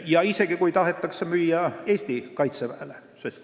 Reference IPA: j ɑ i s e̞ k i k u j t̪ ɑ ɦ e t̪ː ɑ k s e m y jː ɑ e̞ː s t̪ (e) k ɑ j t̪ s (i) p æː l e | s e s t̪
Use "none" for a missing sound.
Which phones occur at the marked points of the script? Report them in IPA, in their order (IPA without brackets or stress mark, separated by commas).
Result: i, e